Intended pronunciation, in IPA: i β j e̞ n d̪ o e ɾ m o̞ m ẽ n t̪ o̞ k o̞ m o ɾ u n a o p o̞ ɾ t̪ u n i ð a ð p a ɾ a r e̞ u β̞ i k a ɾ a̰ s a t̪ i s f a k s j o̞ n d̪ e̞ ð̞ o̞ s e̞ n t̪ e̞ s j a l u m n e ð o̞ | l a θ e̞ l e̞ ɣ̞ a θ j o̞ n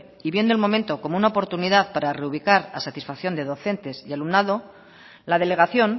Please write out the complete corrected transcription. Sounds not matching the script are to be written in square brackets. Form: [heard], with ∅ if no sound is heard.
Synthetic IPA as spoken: i β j e̞ n d̪ o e [l] m o̞ m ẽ n t̪ o̞ k o̞ m o [∅] u n a o p o̞ ɾ t̪ u n i ð a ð p a ɾ a r e̞ u β̞ i k a ɾ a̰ s a t̪ i s f a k [θ] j o̞ n d̪ e̞ ð̞ o̞ [θ] e̞ n t̪ e̞ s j a l u m n [a] ð o̞ | l a [ð] e̞ l e̞ ɣ̞ a θ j o̞ n

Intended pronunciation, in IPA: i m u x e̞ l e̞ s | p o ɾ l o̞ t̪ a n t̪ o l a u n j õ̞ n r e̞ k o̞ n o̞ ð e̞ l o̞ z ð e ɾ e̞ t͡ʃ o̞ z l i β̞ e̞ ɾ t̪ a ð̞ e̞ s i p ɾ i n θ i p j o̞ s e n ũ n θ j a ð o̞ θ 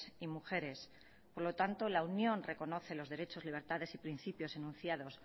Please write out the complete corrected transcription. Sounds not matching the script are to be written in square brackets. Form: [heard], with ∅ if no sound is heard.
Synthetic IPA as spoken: i m u x e̞ [ɾ] e̞ s | p o ɾ l o̞ t̪ a n t̪ o l a u n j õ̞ n r e̞ k o̞ n o̞ [θ] e̞ l o̞ z ð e ɾ e̞ t͡ʃ o̞ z l i β̞ e̞ ɾ t̪ a ð̞ e̞ s i p ɾ i n θ i p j o̞ s e n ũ n θ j a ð o̞ [s]

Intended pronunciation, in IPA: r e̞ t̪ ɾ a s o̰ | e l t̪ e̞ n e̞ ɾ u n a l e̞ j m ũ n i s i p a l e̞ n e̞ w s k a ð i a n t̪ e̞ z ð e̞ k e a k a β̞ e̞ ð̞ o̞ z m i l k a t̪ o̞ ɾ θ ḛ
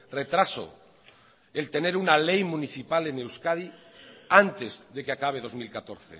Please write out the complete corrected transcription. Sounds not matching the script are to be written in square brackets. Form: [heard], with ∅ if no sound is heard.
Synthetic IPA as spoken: r e̞ t̪ ɾ a s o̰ | e l t̪ e̞ n e̞ ɾ u n a l e̞ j m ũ n i [θ] i p a l e̞ n e̞ w s k a ð i a n t̪ e̞ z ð e̞ k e a k a β̞ e̞ ð̞ o̞ z m i l k a t̪ o̞ ɾ θ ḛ

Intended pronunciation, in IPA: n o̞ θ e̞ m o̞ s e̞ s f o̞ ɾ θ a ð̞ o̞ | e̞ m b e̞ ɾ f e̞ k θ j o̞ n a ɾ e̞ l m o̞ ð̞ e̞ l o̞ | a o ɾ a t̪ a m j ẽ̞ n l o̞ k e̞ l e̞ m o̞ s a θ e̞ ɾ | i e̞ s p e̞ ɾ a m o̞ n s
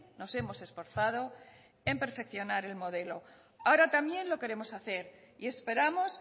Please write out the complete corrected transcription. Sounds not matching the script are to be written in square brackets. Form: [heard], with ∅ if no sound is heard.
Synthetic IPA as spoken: n o̞ [s] e̞ m o̞ s e̞ s f o̞ ɾ θ a ð̞ o̞ | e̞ m [p] e̞ ɾ f e̞ k θ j o̞ n a ɾ e̞ l m o̞ ð̞ e̞ l o̞ | a o ɾ a t̪ a m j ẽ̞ n l o̞ k e̞ [ɾ] e̞ m o̞ s a θ e̞ ɾ | i e̞ s p e̞ ɾ a m o̞ [∅] s

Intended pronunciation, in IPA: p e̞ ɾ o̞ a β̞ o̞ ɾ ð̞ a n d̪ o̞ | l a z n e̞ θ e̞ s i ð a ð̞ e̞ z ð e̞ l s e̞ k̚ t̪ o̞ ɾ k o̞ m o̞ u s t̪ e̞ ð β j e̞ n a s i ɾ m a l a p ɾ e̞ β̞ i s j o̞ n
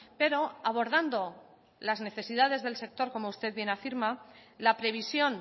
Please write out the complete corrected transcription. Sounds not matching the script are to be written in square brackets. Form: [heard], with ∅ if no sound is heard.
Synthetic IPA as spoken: p e̞ ɾ o̞ a β̞ o̞ ɾ ð̞ a n d̪ o̞ | l a z n e̞ θ e̞ s i ð a ð̞ e̞ z ð e̞ l s e̞ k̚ t̪ o̞ ɾ k o̞ m o̞ u s t̪ e̞ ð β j e̞ n a [f] i ɾ m a l a p ɾ e̞ β̞ i s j o̞ n

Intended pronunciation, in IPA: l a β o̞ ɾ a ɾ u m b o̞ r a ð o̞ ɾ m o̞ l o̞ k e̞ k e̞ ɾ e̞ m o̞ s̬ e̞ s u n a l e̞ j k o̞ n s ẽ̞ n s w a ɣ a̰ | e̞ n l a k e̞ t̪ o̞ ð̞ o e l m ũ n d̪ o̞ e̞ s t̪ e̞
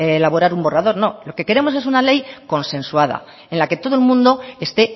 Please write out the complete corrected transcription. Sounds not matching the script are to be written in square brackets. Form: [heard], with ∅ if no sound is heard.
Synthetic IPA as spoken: l a β o̞ ɾ a ɾ u m b o̞ r a ð o̞ ɾ [n] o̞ l o̞ k e̞ k e̞ ɾ e̞ m o̞ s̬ e̞ s u n a l e̞ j k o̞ n s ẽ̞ n s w a [ð] a̰ | e̞ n l a k e̞ t̪ o̞ ð̞ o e l m ũ n d̪ o̞ e̞ s t̪ e̞

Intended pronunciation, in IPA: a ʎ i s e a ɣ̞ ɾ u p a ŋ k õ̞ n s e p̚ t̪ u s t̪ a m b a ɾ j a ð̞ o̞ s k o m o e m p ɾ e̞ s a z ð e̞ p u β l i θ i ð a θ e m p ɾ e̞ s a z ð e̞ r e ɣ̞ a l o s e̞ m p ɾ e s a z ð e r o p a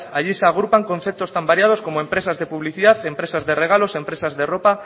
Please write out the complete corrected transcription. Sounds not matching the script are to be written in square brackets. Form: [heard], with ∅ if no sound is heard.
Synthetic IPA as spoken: a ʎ i s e a ɣ̞ ɾ u p a ŋ k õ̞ n [θ] e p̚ t̪ [o] s t̪ a m b a ɾ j a ð̞ o̞ s k o m o e m p ɾ e̞ s a z ð e̞ p u β l i θ i ð a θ e m p ɾ e̞ s a z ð e̞ r e ɣ̞ a l o s e̞ m p ɾ e s a z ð e r o p a

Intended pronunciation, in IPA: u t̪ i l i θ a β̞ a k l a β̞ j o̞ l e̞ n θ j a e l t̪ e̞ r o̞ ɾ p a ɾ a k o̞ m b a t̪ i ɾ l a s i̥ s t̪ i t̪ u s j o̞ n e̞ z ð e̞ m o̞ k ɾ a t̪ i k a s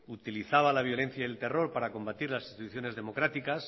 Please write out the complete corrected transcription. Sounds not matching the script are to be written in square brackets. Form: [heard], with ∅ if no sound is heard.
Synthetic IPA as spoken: u t̪ i l i θ a β̞ a [∅] l a β̞ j o̞ l e̞ n θ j a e l t̪ e̞ r o̞ ɾ p a ɾ a k o̞ m b a t̪ i ɾ l a s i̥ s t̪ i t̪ u [θ] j o̞ n e̞ z ð e̞ m o̞ k ɾ a t̪ i k a s

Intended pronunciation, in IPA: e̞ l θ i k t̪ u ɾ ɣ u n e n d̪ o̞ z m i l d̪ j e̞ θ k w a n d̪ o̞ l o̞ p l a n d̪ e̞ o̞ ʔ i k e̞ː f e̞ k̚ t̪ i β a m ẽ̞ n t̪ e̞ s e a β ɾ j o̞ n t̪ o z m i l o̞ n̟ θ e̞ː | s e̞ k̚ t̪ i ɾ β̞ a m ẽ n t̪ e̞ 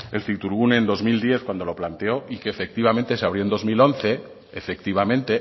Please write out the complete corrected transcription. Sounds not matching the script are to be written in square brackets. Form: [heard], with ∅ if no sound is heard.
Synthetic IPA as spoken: e̞ l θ i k t̪ u ɾ ɣ u n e n d̪ o̞ z m i l d̪ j e̞ θ k w a n d̪ o̞ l o̞ p l a n [t̪] e̞ o̞ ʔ i k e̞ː f e̞ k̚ t̪ i β a m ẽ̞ n t̪ e̞ s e a β ɾ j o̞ n [d̪] o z m i l o̞ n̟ θ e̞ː | [f] e̞ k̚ t̪ i [∅] β̞ a m ẽ n t̪ e̞

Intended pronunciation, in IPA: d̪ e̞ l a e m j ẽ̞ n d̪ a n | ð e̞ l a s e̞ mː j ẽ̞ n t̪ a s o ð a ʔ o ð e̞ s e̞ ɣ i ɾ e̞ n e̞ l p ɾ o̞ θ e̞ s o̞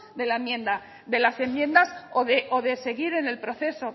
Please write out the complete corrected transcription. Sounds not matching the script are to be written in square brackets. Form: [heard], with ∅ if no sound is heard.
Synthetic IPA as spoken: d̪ e̞ l a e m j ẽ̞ n d̪ a [∅] | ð e̞ l a s e̞ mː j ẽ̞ n [d̪] a s o ð [e] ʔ o ð e̞ s e̞ ɣ i ɾ e̞ n e̞ l p ɾ o̞ θ e̞ s o̞

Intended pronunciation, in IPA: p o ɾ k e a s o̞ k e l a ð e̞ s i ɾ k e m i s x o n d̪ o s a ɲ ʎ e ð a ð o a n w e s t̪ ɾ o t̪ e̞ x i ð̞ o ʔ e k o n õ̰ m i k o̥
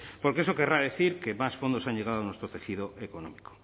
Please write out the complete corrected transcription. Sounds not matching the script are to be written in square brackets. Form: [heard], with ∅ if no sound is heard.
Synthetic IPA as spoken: p o ɾ k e [e] s o̞ k e [r] a ð e̞ [θ] i ɾ k e m [a] s [f] o n d̪ o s a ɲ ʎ e [ɣ] a ð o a n w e s t̪ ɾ o t̪ e̞ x i ð̞ o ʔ e k o n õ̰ m i k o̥

